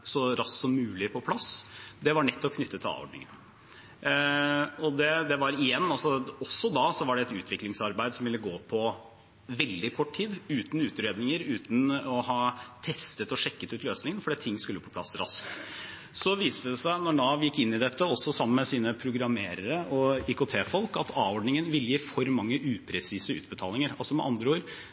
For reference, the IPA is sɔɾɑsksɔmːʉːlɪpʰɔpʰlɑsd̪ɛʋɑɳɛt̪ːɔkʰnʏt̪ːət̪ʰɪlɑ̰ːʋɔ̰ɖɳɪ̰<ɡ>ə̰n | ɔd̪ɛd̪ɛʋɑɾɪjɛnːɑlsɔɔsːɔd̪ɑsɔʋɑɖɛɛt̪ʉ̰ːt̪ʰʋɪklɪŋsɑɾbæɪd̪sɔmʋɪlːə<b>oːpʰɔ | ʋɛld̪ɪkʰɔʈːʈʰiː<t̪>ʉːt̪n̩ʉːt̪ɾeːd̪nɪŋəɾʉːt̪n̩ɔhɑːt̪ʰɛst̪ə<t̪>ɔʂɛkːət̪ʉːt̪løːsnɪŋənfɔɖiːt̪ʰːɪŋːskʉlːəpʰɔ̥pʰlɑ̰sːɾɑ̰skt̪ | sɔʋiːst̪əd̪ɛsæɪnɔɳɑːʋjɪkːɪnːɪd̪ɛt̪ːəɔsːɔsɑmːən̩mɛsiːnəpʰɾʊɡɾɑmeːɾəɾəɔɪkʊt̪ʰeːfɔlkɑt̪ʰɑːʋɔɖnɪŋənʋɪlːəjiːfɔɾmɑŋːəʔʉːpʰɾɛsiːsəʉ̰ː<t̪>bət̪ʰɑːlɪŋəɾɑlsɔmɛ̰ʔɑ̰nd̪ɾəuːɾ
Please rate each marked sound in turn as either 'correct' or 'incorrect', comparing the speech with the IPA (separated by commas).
incorrect, incorrect, incorrect, correct, correct